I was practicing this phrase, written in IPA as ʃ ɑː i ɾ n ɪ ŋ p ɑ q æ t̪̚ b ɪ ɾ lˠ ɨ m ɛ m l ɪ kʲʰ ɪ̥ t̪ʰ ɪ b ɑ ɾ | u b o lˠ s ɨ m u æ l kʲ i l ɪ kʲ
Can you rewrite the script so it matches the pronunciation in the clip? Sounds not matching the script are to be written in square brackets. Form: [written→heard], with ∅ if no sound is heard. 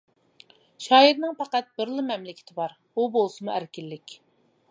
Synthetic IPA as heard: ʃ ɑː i ɾ n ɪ ŋ p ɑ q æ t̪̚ b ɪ ɾ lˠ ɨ m ɛ m l ɪ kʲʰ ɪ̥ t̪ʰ ɪ b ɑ ɾ | u b o lˠ s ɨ m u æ [l→ɾ] kʲ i [l→lː] ɪ kʲ

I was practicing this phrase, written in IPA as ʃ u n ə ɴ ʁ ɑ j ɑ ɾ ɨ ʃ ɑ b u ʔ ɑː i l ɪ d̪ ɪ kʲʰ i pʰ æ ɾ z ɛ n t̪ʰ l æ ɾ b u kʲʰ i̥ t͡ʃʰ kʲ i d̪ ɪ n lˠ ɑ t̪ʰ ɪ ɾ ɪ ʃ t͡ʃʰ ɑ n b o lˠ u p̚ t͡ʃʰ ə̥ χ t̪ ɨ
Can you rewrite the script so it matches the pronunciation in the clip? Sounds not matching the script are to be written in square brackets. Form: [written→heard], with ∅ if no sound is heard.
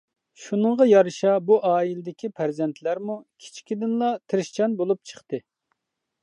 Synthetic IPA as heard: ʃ u n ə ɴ ʁ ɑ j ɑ ɾ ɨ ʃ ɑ b u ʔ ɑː i l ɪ d̪ ɪ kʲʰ i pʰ æ ɾ z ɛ n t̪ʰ l æ ɾ [b→m] u kʲʰ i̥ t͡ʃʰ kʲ i d̪ ɪ n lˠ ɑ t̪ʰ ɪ ɾ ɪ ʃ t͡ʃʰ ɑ n b o lˠ u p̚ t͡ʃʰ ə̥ χ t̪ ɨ

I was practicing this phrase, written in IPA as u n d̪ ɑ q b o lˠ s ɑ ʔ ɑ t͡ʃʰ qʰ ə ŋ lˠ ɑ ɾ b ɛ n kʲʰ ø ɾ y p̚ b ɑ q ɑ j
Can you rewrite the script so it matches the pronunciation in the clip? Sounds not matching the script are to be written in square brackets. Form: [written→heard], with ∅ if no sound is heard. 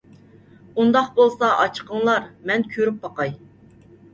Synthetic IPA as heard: u n d̪ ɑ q b o lˠ s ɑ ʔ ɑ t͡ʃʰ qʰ ə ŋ lˠ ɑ ɾ [b→m] ɛ n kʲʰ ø ɾ y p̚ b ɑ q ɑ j

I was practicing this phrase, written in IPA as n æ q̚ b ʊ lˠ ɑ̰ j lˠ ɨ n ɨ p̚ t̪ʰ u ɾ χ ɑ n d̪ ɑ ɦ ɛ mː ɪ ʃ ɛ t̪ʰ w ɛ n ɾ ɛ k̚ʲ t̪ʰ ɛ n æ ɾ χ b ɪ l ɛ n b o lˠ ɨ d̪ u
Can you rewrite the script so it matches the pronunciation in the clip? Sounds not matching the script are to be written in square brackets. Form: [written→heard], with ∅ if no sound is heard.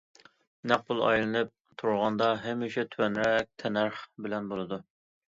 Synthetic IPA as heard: n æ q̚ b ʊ lˠ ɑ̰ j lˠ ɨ n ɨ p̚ t̪ʰ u ɾ [χ→ʁ] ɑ n d̪ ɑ ɦ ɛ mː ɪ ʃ ɛ t̪ʰ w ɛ n ɾ ɛ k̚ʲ t̪ʰ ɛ n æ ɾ χ b ɪ l ɛ n b o lˠ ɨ d̪ u

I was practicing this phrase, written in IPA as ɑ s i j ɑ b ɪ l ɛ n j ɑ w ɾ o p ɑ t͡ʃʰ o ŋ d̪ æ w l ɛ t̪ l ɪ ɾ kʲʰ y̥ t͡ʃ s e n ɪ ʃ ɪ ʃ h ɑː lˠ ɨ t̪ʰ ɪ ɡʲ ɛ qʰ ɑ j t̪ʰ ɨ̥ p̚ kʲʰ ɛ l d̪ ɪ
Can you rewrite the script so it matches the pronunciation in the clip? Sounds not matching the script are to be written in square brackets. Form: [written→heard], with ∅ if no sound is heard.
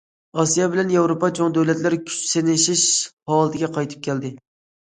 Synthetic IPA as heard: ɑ s i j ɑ b ɪ l ɛ n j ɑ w ɾ o p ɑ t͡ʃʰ o ŋ d̪ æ w l ɛ t̪ l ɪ ɾ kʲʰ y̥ t͡ʃ s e n ɪ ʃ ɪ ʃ h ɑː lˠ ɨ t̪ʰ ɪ ɡʲ ɛ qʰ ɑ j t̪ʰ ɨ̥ p̚ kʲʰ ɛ l d̪ ɪ

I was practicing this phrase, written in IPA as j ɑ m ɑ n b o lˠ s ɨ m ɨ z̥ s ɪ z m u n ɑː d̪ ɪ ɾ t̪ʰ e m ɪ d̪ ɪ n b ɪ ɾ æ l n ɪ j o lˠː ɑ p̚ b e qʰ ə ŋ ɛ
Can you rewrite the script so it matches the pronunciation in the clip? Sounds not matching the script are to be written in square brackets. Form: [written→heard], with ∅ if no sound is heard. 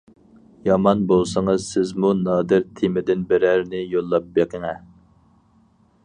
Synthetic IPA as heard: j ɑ m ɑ n b o lˠ s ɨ [m→ŋ] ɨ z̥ s ɪ z m u n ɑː d̪ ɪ ɾ t̪ʰ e m ɪ d̪ ɪ n b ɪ ɾ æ [l→ɾ] n ɪ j o lˠː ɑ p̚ b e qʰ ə ŋ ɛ

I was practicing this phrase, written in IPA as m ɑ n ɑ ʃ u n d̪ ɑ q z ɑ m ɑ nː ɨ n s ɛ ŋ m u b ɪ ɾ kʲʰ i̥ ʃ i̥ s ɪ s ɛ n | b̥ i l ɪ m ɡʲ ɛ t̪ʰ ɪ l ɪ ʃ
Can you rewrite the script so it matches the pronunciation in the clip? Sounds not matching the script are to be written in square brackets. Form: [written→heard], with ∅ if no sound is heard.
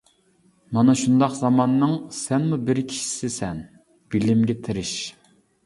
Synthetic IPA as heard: m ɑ n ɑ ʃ u n d̪ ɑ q z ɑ m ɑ nː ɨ [n→ŋ] s ɛ [ŋ→n] m u b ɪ ɾ kʲʰ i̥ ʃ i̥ s ɪ s ɛ n | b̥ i l ɪ m ɡʲ ɛ t̪ʰ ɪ [l→ɾ] ɪ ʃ

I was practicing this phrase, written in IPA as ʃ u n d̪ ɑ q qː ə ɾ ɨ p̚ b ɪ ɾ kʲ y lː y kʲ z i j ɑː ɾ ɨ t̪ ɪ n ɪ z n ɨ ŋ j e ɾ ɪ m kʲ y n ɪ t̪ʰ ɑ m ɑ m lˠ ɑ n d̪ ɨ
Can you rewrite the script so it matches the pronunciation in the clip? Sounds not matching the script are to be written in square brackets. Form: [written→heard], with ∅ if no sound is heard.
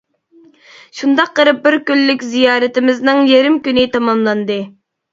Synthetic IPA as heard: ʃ u n d̪ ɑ q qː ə ɾ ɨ p̚ b ɪ ɾ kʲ y lː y kʲ z i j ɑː ɾ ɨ t̪ ɪ [n→m] ɪ z n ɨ ŋ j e ɾ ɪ m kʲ y n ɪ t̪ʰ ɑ m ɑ m lˠ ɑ n d̪ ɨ

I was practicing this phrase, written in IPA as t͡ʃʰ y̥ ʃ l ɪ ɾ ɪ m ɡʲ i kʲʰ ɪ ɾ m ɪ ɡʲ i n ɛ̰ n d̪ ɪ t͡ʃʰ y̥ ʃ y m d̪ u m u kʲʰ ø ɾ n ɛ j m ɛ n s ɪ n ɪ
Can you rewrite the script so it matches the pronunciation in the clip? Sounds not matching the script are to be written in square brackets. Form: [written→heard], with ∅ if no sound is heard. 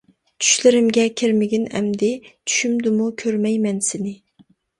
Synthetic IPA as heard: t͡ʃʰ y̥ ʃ l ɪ ɾ ɪ m ɡʲ [i→ɛ] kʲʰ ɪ ɾ m ɪ ɡʲ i n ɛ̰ [n→m] d̪ ɪ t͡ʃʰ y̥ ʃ y m d̪ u m u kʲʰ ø ɾ [n→m] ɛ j m ɛ n s ɪ n ɪ

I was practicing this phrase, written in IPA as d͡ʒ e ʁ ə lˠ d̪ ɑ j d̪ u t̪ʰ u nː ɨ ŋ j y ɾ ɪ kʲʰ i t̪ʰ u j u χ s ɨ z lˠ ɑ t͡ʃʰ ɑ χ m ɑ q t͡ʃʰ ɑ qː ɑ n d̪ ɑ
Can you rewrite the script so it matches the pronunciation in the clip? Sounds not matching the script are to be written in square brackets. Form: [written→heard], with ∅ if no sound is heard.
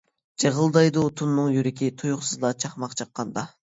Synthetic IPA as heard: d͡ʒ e ʁ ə lˠ d̪ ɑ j d̪ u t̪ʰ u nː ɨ ŋ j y ɾ ɪ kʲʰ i t̪ʰ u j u χ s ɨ z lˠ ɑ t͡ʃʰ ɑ χ m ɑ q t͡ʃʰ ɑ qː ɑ n d̪ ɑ

